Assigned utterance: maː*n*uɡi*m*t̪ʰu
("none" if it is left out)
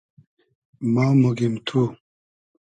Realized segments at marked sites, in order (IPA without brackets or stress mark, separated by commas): m, m